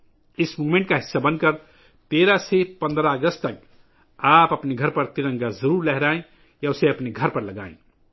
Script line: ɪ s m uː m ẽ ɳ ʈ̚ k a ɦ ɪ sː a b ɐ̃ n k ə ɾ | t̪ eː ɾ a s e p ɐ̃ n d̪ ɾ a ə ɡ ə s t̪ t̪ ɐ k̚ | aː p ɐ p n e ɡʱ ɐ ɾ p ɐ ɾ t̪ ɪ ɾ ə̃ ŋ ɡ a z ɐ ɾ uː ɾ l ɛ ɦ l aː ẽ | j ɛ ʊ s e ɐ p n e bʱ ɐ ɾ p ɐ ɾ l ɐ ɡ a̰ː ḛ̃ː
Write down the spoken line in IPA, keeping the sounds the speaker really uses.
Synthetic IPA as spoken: ɪ s m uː m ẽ ɳ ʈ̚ k a ɦ ɪ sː a b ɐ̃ n k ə ɾ | t̪ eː ɾ a s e p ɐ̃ n d̪ ɾ a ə ɡ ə s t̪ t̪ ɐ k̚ | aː p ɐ p n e ɡʱ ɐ ɾ p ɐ ɾ t̪ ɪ ɾ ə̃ ŋ ɡ a z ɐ ɾ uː ɾ l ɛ ɦ ɾ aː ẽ | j a ʊ s e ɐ p n e ɡʱ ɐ ɾ p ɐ ɾ l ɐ ɡ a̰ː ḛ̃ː